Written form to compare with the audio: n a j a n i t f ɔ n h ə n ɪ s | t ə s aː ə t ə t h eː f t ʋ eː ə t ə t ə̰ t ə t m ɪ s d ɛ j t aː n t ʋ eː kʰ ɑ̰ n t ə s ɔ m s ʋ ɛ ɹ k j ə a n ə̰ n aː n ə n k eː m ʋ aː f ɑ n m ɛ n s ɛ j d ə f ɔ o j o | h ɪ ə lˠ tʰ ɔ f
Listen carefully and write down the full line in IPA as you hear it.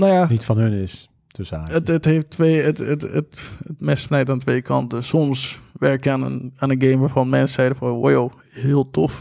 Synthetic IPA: n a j a n i t f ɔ n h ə n ɪ s | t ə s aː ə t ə t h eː f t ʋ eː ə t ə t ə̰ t ə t m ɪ s n ɛ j t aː n t ʋ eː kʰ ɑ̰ n t ə s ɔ m s ʋ ɛ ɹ k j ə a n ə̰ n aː n ə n ɡ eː m ʋ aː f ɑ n m ɛ n s ɛ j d ə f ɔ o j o | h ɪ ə lˠ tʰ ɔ f